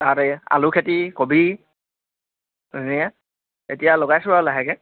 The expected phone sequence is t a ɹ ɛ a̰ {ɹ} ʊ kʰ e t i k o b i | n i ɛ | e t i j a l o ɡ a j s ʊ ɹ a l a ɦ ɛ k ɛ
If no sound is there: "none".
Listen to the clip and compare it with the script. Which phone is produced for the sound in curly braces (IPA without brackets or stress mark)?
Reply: l